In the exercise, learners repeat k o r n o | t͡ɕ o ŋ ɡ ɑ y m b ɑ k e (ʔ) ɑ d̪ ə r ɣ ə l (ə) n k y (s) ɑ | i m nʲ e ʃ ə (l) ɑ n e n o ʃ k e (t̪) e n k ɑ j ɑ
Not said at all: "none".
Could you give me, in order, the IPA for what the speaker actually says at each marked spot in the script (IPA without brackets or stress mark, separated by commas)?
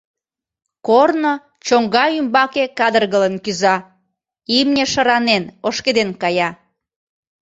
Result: k, ə, z, ɾ, d̪